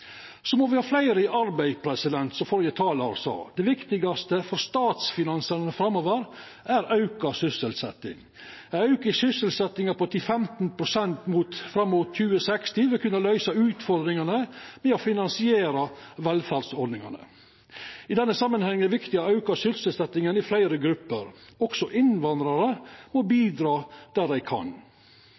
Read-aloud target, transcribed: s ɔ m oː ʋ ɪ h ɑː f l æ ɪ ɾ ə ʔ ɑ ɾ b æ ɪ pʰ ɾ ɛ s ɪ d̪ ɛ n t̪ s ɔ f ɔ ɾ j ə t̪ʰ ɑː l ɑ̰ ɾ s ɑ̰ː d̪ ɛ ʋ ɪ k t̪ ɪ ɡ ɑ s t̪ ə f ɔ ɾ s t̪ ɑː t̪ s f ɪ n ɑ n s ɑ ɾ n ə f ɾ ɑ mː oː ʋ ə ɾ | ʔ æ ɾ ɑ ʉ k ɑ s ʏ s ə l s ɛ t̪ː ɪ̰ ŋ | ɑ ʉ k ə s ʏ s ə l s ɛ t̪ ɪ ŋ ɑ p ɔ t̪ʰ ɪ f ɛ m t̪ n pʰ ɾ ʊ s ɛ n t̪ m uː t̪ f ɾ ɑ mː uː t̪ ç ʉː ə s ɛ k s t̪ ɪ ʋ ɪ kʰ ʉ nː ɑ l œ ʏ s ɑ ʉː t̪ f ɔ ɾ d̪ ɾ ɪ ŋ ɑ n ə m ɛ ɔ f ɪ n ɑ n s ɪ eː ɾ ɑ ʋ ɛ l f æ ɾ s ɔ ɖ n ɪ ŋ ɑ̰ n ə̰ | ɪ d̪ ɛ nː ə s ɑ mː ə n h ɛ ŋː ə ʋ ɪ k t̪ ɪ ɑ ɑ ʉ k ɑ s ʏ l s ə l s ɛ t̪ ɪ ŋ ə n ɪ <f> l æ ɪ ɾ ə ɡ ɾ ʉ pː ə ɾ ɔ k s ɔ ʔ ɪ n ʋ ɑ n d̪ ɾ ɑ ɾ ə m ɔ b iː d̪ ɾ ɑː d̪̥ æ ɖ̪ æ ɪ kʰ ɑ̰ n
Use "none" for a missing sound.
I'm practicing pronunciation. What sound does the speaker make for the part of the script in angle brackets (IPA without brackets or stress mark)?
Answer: f